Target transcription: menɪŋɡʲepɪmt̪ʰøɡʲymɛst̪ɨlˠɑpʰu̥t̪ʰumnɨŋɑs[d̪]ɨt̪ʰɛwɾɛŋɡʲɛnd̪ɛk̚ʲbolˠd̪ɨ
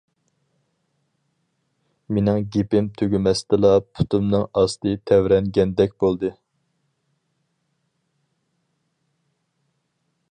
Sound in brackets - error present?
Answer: yes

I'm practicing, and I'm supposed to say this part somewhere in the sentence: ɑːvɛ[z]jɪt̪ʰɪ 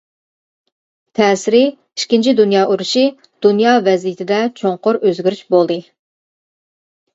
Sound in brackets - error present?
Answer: no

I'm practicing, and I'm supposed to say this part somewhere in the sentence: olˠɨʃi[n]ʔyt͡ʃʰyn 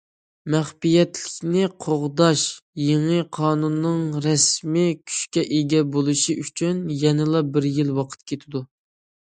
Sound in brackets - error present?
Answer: yes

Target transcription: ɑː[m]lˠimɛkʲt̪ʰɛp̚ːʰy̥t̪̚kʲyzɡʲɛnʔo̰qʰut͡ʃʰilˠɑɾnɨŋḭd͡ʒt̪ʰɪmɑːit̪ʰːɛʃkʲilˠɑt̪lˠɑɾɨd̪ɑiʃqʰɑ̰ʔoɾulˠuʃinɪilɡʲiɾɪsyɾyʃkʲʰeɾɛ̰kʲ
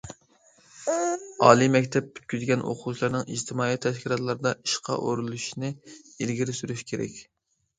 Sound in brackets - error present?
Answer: yes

